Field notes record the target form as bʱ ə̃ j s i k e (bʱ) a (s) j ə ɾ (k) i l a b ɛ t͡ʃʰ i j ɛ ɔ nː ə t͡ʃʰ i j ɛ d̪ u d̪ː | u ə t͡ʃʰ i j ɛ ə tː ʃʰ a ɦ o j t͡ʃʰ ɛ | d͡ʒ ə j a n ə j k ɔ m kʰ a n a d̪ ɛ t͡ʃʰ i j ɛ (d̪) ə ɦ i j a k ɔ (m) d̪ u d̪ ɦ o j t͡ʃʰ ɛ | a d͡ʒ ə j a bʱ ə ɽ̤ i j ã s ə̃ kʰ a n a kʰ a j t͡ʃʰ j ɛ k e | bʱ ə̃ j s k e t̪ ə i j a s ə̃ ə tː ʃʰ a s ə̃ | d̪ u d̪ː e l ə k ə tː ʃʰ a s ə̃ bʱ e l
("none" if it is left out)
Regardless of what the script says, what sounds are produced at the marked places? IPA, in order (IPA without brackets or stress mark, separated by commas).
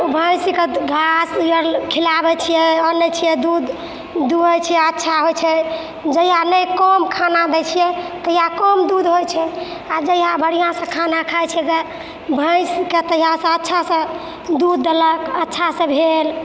ɡʱ, s, kʰ, t̪, m